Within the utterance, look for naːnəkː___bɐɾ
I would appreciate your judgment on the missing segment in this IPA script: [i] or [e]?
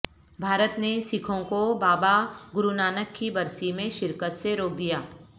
i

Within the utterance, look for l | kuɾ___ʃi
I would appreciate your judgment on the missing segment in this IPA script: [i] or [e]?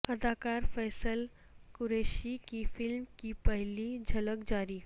e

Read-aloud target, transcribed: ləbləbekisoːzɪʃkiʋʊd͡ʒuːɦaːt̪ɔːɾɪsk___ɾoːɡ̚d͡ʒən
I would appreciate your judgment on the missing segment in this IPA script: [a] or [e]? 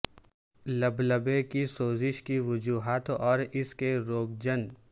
e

